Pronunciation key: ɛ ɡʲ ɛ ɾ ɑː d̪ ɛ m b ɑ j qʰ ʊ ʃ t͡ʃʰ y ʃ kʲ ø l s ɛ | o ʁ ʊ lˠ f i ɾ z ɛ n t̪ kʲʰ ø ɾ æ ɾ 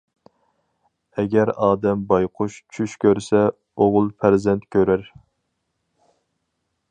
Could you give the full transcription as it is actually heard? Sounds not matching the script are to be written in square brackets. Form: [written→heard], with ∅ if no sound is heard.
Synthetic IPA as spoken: ɛ ɡʲ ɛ ɾ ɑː d̪ ɛ m b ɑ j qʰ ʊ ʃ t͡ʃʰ y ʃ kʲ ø [l→ɾ] s ɛ | o ʁ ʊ lˠ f [i→æ] ɾ z ɛ n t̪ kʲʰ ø ɾ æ ɾ